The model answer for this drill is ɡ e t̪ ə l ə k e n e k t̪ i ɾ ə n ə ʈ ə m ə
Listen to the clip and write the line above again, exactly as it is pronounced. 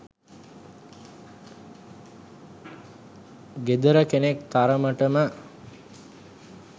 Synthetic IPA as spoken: ɡ e d̪ ə ɾ ə k e n e k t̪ a ɾ ə m ə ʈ ə m ə